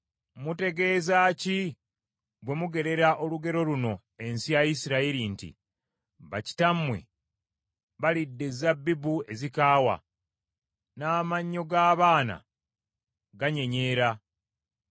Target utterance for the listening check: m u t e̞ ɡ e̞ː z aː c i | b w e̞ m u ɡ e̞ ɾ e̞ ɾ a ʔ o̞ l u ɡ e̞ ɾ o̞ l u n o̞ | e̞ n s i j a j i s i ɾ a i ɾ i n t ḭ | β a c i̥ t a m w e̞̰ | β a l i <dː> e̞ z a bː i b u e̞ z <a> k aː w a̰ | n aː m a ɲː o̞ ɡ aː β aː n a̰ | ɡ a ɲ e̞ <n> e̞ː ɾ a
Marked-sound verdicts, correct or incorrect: correct, incorrect: i, incorrect: ɲ

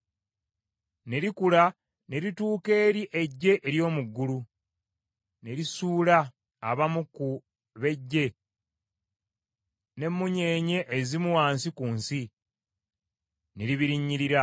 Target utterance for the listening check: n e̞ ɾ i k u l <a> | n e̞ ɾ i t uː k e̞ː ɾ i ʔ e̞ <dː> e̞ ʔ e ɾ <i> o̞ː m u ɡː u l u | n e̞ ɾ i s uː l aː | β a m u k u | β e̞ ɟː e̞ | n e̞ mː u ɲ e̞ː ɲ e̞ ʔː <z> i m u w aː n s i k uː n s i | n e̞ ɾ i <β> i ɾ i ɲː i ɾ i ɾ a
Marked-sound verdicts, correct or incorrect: correct, incorrect: ɟː, incorrect: j, correct, correct

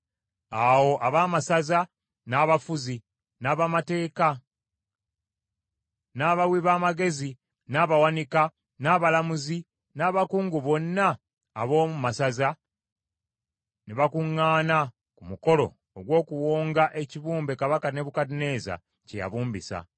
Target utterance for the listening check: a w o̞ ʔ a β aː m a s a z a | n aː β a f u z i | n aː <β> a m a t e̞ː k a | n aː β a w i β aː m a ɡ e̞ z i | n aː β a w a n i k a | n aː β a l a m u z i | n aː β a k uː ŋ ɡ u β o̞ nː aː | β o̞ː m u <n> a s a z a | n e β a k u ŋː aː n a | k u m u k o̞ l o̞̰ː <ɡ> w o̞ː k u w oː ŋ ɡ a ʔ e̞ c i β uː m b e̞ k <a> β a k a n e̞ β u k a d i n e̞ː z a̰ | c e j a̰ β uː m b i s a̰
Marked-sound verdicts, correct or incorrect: correct, incorrect: m, correct, correct

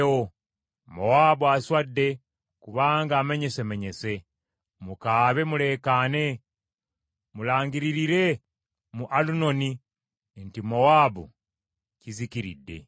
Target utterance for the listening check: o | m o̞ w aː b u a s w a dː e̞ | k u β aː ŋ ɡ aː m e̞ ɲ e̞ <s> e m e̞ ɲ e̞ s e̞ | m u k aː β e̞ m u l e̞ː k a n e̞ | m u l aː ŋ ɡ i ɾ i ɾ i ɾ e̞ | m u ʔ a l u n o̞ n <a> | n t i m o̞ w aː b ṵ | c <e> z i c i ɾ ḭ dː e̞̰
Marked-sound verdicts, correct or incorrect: correct, incorrect: i, incorrect: i

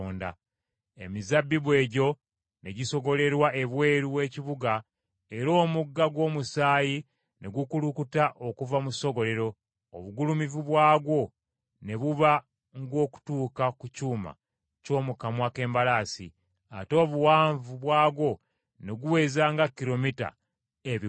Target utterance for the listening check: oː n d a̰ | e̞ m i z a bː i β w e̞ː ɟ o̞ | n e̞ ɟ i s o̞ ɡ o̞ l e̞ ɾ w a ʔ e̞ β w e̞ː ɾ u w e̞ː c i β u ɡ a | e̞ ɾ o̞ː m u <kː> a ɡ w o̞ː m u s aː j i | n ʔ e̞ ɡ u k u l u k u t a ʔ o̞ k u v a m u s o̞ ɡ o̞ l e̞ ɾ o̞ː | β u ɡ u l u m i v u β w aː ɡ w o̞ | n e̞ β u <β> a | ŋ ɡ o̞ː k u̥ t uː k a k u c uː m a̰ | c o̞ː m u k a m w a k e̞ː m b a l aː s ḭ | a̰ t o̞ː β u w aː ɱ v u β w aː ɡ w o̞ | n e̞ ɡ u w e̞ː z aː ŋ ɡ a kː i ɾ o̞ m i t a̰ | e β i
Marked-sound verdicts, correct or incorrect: incorrect: ɡː, correct

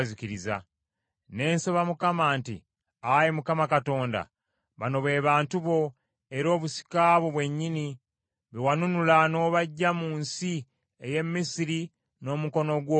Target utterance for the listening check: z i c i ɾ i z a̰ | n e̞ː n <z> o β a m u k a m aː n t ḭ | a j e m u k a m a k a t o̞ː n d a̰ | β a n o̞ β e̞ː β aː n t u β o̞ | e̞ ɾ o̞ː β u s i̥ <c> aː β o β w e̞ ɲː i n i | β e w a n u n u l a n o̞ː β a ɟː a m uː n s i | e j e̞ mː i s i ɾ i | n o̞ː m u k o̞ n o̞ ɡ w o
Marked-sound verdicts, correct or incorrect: incorrect: s, incorrect: k

